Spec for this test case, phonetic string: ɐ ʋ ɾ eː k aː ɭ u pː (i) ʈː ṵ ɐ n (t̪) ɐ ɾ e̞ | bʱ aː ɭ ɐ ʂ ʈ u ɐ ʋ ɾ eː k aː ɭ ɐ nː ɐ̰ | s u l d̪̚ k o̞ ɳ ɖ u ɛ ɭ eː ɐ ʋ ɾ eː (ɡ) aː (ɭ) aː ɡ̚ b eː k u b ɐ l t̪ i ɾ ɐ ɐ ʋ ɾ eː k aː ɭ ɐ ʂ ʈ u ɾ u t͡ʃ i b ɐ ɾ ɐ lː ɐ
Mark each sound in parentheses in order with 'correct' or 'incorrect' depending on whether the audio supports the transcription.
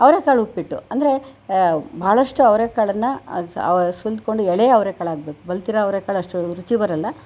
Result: correct, incorrect, incorrect, correct

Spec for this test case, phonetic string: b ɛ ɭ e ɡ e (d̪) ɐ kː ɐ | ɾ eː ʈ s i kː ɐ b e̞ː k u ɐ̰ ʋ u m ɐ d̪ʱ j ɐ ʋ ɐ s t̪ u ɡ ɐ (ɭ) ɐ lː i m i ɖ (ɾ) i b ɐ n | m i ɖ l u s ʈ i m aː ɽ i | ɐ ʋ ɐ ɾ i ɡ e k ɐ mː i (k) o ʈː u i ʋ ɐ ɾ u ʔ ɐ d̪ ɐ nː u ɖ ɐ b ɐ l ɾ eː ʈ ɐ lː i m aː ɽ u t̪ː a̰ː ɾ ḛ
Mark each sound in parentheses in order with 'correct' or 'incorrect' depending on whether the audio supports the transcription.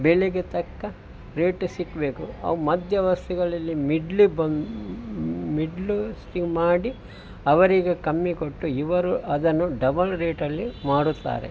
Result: incorrect, correct, incorrect, correct

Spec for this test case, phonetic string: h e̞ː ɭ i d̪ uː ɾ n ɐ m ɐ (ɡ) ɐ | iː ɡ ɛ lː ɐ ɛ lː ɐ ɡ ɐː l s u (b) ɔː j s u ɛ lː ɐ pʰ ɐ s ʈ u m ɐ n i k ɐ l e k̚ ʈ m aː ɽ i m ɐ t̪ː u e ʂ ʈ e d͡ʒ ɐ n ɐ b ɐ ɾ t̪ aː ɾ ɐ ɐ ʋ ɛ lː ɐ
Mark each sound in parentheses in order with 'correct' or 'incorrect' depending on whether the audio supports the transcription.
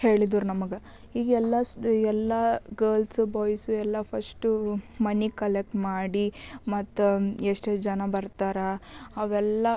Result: correct, correct

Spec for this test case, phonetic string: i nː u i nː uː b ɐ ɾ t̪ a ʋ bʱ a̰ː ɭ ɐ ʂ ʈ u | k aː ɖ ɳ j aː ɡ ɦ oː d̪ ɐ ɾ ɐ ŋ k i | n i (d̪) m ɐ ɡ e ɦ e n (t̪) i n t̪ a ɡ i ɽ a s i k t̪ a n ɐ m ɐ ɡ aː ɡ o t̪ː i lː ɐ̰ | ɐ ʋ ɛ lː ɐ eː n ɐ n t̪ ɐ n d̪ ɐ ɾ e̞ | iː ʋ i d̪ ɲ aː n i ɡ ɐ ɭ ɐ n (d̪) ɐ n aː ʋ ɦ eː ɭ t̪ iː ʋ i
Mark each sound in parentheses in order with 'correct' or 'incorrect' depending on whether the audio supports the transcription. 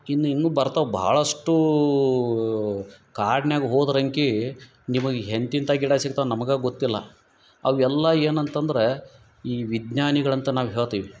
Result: incorrect, correct, incorrect

